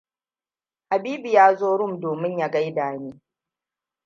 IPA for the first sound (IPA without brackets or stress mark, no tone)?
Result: h